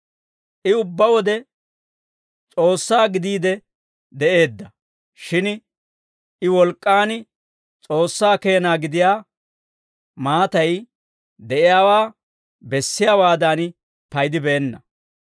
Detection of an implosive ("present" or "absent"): absent